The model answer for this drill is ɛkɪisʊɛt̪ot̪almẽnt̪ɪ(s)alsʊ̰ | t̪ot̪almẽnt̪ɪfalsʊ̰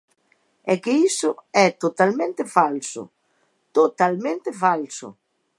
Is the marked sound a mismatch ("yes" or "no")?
yes